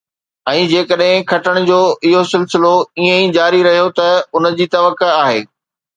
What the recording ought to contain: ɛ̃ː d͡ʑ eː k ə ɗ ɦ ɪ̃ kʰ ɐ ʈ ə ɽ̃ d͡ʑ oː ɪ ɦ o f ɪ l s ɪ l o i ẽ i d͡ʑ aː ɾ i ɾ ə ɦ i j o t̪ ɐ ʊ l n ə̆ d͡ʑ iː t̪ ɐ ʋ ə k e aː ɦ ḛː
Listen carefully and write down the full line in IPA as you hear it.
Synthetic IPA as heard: ɛ̃ː d͡ʑ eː k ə ɗ ɦ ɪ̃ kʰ ɐ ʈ ə ɽ̃ d͡ʑ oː ɪ ɦ o s ɪ l s ɪ l o i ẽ i d͡ʑ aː ɾ i ɾ ɐ ɦ i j o t̪ ɐ ʊ n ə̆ d͡ʑ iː t̪ ɐ ʋ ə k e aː ɦ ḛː